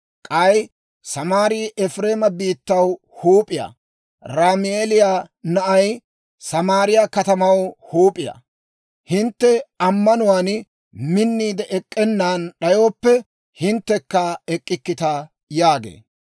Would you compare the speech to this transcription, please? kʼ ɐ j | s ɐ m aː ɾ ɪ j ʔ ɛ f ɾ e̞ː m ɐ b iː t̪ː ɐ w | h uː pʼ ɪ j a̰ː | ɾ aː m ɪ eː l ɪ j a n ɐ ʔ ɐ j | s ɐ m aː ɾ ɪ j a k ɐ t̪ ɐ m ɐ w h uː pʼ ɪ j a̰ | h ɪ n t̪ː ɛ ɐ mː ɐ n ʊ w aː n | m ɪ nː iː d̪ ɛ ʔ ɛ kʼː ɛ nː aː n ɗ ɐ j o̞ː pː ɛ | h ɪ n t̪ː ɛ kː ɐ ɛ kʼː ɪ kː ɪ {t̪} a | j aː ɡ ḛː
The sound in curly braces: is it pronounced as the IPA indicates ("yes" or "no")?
yes